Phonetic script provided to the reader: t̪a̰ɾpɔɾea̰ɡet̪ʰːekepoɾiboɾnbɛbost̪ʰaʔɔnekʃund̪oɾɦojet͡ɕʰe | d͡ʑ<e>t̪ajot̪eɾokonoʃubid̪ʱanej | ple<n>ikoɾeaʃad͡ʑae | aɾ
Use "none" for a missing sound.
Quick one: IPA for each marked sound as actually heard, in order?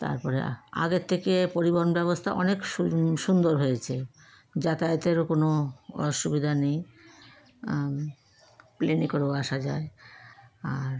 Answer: a, n

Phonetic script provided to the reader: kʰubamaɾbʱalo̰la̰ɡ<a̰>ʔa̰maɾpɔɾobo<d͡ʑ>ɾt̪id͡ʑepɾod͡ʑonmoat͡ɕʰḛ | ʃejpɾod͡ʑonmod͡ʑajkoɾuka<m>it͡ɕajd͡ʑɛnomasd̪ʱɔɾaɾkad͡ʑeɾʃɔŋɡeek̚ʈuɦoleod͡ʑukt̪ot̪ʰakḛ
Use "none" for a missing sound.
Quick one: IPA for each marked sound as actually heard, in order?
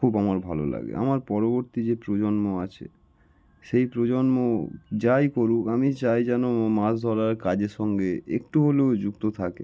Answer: ḛ, none, m

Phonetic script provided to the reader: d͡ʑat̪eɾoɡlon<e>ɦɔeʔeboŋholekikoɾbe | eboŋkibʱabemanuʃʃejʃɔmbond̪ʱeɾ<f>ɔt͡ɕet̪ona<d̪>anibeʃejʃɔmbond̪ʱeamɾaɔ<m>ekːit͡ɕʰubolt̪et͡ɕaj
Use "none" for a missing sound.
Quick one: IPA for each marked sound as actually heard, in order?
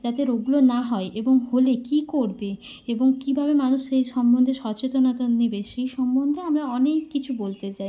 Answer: a, ʃ, t̪, n

